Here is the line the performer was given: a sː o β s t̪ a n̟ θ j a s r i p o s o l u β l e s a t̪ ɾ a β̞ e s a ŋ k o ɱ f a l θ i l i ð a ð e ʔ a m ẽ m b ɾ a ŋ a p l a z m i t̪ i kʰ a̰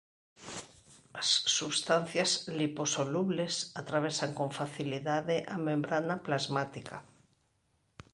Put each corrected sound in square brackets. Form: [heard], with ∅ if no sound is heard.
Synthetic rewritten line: a sː [u] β s t̪ a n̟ θ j a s [l] i p o s o l u β l e s a t̪ ɾ a β̞ e s a ŋ k o ɱ f a [∅] θ i l i ð a ð e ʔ a m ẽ m b ɾ a [n] a p l a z m [a] t̪ i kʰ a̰

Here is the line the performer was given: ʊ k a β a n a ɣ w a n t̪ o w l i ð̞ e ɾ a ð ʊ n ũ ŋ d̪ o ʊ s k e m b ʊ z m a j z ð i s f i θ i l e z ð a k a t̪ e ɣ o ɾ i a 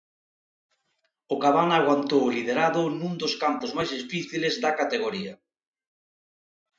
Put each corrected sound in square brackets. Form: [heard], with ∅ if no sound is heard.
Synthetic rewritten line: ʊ k a β a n a ɣ w a n t̪ o w l i ð̞ e ɾ a ð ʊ n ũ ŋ d̪ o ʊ s k [a] m [p] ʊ z m a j z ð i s f i θ i l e z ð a k a t̪ e ɣ o ɾ i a

